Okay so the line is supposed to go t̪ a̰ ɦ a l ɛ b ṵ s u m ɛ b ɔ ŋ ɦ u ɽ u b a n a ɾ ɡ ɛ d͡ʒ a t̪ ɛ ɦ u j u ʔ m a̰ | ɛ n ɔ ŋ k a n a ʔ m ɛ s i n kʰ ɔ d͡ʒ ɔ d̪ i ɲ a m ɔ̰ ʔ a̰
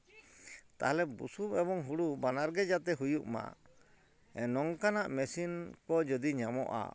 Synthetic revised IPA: t̪ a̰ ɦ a l ɛ b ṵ s u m ɛ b ɔ ŋ ɦ u ɽ u b a n a ɾ ɡ ɛ d͡ʒ a t̪ ɛ ɦ u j u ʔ m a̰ | ɛ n ɔ ŋ k a n a ʔ m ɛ s i n k ɔ d͡ʒ ɔ d̪ i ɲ a m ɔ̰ ʔ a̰